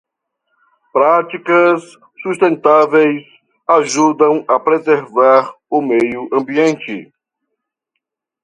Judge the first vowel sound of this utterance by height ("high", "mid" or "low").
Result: low